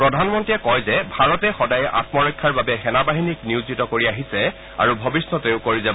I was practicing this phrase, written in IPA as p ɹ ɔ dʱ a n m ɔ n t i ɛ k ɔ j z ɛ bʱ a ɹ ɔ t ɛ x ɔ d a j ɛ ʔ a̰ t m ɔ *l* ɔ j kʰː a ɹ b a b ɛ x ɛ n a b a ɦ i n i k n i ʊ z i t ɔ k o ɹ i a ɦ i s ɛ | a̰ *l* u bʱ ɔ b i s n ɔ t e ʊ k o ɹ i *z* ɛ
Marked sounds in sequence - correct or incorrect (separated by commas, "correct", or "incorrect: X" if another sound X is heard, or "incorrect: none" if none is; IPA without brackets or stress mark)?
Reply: incorrect: ɹ, incorrect: ɹ, correct